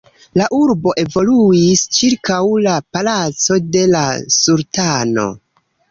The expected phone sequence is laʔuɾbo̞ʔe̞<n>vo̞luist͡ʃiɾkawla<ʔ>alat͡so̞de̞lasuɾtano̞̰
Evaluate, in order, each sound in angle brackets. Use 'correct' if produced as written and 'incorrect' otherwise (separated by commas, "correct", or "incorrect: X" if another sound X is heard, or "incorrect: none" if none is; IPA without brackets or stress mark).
incorrect: none, incorrect: p